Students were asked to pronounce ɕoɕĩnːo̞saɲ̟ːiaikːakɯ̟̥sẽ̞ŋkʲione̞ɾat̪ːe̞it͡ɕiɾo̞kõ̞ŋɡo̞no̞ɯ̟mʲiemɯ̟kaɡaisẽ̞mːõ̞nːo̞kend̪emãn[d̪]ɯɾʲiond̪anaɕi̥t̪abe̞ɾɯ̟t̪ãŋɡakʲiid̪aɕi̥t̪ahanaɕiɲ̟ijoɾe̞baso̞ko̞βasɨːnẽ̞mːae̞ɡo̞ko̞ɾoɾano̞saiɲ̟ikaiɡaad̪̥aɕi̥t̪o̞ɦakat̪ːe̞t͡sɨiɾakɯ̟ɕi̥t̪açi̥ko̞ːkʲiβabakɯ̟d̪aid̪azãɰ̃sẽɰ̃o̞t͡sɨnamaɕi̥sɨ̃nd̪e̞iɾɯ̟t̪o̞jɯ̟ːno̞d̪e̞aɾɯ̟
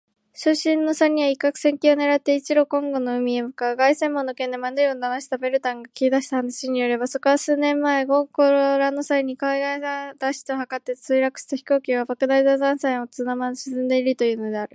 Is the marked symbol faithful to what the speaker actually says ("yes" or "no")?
yes